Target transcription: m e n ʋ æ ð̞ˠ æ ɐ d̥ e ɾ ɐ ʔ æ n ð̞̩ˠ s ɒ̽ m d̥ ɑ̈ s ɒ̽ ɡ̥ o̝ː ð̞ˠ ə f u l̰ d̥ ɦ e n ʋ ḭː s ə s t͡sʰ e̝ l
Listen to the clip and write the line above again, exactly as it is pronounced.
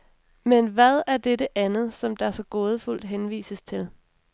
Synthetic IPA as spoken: m e n ʋ æ ð̞ˠ æ ɐ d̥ e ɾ ə ʔ æ n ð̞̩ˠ s ɒ̽ m d̥ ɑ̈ s ɒ̽ ɡ̥ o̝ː ð̞ˠ ə f u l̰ d̥ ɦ e n ʋ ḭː s ə s t͡sʰ e̝ l